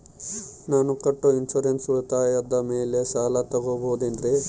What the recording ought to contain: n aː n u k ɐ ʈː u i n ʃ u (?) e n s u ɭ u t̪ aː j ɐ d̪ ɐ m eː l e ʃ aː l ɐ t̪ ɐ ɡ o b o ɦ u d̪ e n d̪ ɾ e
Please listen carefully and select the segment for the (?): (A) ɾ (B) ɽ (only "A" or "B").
A